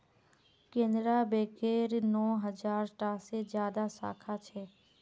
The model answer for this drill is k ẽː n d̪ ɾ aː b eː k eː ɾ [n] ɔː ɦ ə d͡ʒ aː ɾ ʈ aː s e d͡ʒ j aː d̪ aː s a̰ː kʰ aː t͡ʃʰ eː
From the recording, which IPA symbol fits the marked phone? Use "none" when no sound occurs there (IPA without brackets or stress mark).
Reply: n